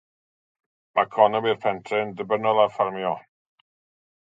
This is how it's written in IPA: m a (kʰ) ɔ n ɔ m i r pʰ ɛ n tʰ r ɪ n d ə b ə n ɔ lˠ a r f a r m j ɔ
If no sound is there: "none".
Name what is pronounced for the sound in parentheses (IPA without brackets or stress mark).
kʰ